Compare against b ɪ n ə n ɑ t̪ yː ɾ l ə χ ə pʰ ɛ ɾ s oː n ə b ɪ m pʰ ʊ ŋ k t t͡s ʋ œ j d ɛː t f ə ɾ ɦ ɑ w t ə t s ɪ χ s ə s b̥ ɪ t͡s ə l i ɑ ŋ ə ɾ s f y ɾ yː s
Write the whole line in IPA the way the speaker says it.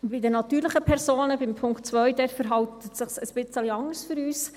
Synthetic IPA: b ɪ d ə n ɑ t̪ yː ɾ l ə χ ə pʰ ɛ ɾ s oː n ə b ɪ m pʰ ʊ ŋ k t t͡s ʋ œ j d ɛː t f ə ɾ ɦ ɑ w t ə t s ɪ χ s ə s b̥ ɪ t͡s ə l i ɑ ŋ ə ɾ s f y ɾ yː s